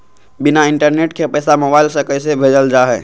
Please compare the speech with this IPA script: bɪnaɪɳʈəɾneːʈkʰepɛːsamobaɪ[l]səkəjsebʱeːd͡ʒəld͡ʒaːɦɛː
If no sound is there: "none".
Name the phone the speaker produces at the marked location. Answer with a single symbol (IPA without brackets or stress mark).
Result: l